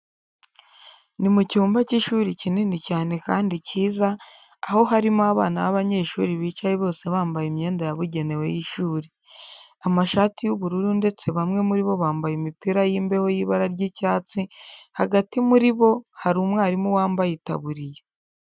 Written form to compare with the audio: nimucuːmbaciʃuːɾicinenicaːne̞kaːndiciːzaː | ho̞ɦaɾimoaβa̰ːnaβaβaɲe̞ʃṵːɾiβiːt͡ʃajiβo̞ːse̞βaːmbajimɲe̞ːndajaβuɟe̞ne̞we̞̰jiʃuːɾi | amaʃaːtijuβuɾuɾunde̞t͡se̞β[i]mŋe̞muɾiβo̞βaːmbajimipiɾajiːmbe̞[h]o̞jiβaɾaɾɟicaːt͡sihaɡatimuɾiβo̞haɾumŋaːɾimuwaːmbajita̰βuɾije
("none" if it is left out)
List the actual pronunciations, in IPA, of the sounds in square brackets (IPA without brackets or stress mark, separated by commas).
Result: a, h